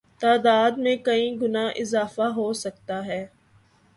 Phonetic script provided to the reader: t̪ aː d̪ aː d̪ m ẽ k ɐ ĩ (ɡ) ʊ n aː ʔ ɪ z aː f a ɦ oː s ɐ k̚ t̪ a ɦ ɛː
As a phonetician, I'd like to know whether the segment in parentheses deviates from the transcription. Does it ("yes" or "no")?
no